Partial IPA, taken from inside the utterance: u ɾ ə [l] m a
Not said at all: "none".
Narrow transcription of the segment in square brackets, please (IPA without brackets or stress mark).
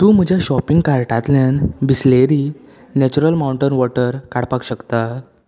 l